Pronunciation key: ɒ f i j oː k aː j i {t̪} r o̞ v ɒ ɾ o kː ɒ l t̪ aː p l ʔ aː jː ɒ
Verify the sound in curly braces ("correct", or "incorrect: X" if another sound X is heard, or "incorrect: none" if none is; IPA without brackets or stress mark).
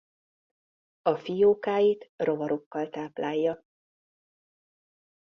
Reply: correct